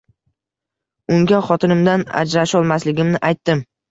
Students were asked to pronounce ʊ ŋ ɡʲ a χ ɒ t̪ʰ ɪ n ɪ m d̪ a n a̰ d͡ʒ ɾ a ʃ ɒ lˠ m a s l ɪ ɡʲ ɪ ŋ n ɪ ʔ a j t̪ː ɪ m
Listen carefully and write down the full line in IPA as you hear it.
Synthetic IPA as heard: ʊ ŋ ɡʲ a χ ɒ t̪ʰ ɪ n ɪ m d̪ a n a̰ d͡ʒ ɾ a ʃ ɒ lˠ m a s l ɪ ɡʲ ɪ m n ɪ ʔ a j t̪ː ɪ m